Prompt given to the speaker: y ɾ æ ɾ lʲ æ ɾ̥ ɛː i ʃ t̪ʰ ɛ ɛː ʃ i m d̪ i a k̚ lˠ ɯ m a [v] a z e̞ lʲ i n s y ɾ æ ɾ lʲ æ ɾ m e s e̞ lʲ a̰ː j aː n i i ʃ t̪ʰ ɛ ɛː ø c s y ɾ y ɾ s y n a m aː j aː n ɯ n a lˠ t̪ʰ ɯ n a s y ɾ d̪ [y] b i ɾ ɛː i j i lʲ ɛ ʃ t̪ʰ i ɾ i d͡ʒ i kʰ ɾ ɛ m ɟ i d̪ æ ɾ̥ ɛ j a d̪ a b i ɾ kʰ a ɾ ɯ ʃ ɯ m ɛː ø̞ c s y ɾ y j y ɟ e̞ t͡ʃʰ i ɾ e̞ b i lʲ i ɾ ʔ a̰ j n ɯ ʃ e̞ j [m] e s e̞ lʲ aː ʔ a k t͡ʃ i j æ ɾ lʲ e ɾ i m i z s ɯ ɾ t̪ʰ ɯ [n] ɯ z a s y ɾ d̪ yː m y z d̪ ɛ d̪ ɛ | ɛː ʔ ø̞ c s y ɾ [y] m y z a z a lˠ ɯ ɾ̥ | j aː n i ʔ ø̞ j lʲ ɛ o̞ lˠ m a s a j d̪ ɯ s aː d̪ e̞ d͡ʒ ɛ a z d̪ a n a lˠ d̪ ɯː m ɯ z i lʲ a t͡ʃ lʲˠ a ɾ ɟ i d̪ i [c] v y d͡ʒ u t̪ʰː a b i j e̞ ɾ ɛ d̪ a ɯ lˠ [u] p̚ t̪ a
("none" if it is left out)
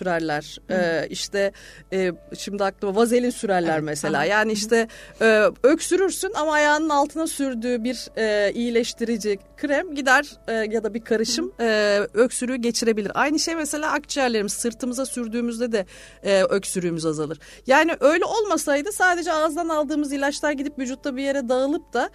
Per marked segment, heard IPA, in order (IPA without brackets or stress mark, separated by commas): v, yː, m, m, yː, p, ɯ